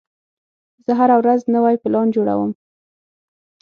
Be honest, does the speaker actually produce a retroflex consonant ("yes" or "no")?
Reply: yes